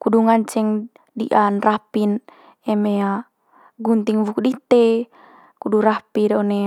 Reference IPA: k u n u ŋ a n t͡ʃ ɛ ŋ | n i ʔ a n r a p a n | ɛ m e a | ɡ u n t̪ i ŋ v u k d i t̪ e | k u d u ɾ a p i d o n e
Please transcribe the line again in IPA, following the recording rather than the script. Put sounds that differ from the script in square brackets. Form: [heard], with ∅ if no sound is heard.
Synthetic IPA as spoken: k u [d] u ŋ a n t͡ʃ ɛ ŋ | [d] i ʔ a n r a p [i] n | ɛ m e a | ɡ u n t̪ i ŋ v u k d i t̪ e | k u d u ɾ a p i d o n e